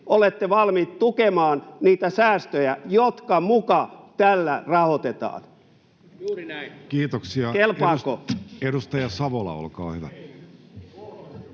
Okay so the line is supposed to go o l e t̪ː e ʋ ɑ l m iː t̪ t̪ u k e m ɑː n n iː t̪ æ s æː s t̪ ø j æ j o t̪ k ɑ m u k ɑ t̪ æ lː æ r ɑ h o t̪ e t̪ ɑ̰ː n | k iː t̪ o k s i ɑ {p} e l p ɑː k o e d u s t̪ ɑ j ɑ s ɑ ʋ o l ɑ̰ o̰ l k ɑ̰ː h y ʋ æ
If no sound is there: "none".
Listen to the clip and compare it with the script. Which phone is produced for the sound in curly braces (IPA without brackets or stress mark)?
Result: k